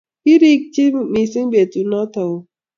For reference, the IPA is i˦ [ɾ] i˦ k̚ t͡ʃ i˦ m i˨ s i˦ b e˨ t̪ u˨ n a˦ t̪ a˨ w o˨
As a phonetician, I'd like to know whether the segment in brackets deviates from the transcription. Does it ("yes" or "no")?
no